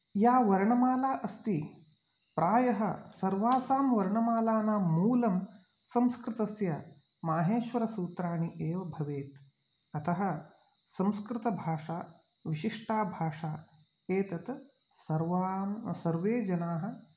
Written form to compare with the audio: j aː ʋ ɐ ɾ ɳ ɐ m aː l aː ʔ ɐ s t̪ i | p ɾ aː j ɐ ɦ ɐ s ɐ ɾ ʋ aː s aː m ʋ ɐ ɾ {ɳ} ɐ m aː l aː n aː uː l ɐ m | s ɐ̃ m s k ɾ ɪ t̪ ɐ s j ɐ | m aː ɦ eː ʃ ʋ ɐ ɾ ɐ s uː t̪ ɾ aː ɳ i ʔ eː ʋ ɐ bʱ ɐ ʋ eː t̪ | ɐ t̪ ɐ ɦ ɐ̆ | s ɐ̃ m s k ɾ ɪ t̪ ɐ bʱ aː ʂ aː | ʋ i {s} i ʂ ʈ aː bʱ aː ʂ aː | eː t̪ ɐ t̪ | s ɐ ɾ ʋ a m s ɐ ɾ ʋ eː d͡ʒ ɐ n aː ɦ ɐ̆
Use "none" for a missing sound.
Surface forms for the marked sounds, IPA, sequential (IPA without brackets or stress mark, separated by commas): ɳ, ʃ